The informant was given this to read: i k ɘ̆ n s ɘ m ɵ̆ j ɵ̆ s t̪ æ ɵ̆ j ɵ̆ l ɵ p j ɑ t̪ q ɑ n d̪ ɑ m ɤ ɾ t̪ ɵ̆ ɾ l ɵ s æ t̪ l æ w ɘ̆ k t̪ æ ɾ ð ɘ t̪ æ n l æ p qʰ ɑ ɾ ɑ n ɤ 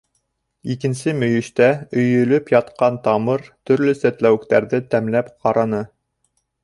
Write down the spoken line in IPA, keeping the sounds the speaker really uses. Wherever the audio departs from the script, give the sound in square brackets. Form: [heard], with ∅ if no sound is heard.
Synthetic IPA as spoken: i k ɘ̆ n s ɘ m ɵ̆ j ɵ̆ [ʃ] t̪ æ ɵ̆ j ɵ̆ l ɵ p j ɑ t̪ q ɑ n [t̪] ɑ m ɤ ɾ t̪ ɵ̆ ɾ l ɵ s æ t̪ l æ w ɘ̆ k t̪ æ ɾ ð ɘ t̪ æ [m] l æ p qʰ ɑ ɾ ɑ n ɤ